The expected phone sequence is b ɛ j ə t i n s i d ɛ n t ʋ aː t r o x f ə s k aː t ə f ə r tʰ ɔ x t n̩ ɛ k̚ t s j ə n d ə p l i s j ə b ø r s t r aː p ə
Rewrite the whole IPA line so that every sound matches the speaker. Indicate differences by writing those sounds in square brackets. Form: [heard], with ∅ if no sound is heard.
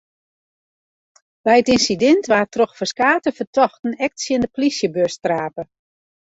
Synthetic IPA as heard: b ɛ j ə t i n s i d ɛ n t ʋ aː t r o x f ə s k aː t ə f ə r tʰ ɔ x t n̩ ɛ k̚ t s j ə n d ə p l i s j ə b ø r s t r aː p ə